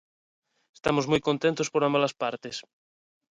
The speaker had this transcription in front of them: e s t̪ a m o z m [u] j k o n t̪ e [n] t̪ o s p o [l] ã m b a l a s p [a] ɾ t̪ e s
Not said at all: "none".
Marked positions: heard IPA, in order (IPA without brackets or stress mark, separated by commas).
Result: u, n, ɾ, a